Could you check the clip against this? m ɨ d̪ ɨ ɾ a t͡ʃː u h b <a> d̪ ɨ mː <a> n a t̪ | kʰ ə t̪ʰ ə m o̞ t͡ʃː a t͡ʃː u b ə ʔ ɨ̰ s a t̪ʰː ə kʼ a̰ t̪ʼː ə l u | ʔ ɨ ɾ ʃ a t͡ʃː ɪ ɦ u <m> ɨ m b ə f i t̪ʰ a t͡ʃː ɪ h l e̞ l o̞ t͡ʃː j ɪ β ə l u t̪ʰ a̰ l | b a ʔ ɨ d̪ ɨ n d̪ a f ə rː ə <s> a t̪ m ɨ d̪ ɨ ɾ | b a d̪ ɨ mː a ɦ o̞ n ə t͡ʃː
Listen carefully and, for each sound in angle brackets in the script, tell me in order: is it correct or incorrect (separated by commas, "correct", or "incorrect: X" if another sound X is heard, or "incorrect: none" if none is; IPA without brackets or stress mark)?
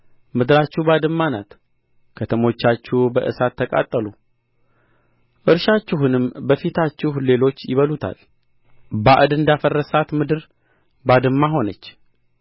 correct, correct, incorrect: n, correct